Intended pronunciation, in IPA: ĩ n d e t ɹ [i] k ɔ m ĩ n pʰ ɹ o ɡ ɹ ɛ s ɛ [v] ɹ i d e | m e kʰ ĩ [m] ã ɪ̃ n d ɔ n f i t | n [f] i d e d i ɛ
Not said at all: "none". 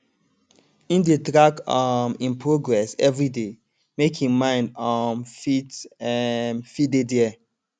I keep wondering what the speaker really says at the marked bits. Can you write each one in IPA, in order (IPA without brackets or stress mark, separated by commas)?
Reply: a, v, m, f